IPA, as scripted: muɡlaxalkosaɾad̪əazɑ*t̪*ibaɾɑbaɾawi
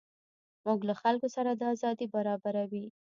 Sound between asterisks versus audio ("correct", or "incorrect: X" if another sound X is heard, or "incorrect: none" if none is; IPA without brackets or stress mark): incorrect: d̪